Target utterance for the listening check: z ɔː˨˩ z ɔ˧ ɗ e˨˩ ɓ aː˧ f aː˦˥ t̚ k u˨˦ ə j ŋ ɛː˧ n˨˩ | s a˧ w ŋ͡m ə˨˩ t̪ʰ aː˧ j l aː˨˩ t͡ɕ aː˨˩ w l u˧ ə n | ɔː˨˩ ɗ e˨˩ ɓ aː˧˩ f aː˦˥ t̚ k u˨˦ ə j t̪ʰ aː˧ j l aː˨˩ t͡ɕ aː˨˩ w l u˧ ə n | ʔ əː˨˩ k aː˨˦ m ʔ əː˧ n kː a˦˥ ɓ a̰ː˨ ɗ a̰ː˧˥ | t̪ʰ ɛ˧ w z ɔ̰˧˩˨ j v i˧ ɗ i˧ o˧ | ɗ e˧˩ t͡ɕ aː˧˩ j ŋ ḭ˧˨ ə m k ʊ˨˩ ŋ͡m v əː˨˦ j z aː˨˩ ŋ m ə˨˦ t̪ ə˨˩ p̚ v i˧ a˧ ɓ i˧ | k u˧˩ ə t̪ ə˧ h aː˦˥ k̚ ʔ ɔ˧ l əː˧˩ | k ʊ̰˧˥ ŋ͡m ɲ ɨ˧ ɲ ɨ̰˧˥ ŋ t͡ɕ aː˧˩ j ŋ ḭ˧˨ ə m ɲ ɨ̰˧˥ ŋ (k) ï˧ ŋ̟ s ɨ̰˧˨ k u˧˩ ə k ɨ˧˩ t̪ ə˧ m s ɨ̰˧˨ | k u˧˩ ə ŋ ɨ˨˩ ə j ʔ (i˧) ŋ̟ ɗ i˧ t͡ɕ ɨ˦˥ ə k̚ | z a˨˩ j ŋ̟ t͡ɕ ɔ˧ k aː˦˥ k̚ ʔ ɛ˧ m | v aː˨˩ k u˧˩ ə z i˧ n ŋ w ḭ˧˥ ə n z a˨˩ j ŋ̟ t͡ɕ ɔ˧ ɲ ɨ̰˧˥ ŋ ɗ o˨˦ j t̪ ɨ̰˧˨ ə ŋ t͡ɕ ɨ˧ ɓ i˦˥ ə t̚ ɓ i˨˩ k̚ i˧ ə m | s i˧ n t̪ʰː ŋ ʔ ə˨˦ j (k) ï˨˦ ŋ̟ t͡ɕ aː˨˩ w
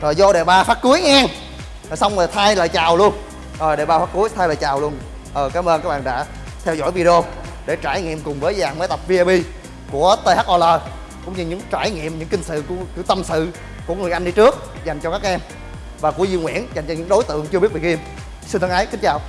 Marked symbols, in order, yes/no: yes, no, yes

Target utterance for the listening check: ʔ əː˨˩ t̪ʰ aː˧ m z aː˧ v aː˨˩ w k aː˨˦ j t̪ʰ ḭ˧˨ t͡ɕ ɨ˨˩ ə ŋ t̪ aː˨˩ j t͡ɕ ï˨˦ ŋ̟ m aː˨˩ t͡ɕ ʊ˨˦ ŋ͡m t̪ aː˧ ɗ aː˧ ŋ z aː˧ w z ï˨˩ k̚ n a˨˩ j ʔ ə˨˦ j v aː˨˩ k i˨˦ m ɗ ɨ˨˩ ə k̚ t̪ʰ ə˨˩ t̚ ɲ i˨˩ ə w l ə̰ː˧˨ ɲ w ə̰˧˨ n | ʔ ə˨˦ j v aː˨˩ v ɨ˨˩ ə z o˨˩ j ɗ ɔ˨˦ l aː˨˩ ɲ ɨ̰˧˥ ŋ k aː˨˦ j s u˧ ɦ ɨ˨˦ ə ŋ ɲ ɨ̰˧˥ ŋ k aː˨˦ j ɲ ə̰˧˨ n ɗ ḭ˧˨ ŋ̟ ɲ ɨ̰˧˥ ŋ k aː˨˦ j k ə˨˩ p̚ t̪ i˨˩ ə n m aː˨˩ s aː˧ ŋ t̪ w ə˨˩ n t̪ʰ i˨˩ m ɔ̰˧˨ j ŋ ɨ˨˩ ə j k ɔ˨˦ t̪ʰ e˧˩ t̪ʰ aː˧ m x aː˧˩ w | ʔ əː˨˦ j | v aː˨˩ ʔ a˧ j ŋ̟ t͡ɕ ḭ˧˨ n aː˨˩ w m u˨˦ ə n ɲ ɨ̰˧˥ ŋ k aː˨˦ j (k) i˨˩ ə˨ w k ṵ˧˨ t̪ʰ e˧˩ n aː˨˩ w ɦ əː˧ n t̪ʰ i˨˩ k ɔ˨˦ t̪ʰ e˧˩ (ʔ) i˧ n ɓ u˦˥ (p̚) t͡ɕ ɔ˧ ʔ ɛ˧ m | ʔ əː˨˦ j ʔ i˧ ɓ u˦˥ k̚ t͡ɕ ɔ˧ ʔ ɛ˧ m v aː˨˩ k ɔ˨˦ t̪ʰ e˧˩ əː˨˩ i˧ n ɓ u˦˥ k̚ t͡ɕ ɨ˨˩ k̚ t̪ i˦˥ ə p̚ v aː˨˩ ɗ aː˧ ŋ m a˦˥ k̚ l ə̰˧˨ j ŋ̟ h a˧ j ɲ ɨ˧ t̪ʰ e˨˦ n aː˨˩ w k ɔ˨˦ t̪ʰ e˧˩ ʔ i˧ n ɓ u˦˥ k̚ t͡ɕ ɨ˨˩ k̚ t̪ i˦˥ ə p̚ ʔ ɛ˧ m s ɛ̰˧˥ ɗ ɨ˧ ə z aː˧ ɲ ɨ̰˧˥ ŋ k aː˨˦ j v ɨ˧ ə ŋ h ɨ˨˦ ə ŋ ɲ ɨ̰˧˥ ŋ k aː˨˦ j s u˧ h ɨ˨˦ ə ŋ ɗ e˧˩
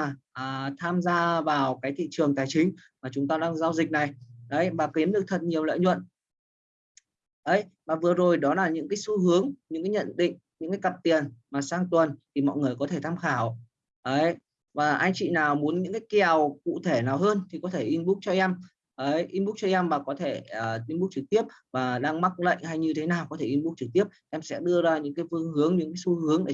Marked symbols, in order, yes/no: yes, yes, no

